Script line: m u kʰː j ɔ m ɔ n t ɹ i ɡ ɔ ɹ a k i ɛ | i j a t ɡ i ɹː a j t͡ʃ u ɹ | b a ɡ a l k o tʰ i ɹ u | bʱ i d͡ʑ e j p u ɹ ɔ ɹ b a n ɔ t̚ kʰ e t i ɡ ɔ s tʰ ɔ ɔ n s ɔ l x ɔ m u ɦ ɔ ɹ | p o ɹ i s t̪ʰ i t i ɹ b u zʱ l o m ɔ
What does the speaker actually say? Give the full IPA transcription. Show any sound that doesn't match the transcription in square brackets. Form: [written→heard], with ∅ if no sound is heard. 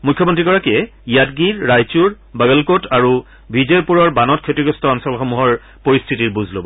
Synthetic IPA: m u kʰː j ɔ m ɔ n t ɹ i ɡ ɔ ɹ a k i ɛ | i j a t ɡ i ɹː a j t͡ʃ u ɹ | b a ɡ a l k o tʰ [i→a] ɹ u | bʱ i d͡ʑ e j p u ɹ ɔ ɹ b a n ɔ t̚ kʰ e t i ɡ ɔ s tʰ ɔ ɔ n s ɔ l x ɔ m u ɦ ɔ ɹ | p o ɹ i s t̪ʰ i t i ɹ b u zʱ l o [m→b] ɔ